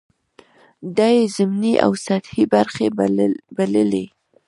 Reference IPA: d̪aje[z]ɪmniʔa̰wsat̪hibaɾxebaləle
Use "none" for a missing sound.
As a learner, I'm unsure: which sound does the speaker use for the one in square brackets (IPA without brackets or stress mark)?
z